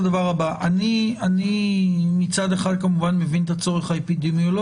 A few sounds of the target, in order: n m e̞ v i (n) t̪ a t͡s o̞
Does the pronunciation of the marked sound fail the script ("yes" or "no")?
no